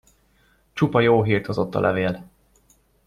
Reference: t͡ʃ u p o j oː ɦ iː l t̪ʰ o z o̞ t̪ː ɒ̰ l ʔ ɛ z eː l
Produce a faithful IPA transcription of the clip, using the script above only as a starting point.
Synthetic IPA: t͡ʃ u p ɒ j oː ɦ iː r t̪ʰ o z o̞ t̪ː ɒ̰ l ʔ ɛ v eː l